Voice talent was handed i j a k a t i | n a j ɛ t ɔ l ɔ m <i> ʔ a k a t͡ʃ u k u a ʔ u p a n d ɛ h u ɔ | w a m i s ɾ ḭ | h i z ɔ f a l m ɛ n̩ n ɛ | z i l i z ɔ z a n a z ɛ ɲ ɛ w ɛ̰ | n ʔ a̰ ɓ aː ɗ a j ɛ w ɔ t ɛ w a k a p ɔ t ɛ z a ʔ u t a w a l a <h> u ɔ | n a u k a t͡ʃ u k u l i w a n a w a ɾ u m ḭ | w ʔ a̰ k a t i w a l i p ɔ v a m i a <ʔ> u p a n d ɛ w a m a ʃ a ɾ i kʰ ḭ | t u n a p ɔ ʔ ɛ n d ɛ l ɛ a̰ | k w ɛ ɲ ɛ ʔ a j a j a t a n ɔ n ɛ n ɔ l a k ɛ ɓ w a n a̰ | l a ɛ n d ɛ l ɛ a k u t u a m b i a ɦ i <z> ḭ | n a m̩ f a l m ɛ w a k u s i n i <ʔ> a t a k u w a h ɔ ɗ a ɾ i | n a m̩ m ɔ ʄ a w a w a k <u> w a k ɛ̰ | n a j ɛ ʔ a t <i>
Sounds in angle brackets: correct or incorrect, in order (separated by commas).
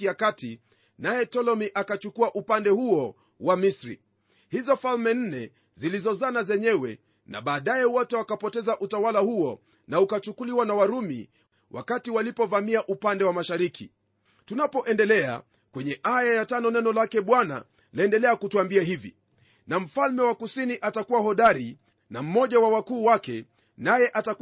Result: correct, correct, correct, incorrect, correct, incorrect, incorrect